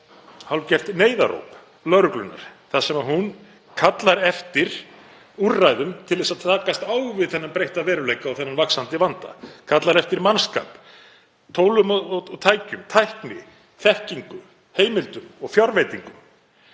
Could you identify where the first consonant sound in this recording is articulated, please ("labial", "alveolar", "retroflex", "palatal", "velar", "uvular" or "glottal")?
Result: glottal